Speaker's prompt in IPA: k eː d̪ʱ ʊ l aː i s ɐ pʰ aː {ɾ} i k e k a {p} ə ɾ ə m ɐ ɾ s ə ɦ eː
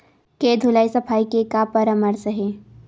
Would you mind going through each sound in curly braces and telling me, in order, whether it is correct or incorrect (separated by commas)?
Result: incorrect, correct